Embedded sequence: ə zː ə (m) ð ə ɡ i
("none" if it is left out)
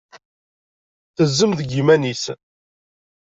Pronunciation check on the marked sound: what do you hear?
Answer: m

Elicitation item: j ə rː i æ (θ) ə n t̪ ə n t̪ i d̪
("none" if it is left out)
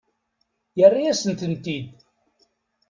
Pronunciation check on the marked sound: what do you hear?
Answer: s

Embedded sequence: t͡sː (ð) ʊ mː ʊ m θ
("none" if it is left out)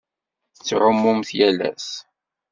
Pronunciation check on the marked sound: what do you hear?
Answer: ʕ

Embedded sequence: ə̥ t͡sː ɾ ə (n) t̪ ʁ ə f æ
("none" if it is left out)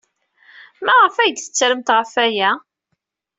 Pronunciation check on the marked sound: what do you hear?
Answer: m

